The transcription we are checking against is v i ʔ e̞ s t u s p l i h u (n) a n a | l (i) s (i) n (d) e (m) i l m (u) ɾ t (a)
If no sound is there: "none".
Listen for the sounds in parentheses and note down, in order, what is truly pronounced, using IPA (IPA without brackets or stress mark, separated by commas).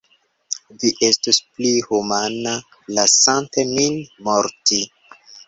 m, a, a, t, m, o, i